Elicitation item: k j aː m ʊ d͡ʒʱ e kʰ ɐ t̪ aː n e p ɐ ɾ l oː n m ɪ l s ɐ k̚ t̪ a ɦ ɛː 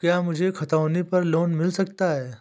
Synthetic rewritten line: k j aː m ʊ d͡ʒʱ e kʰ ɐ t̪ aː n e p ɐ ɾ l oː n m ɪ l s ɐ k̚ t̪ a ɦ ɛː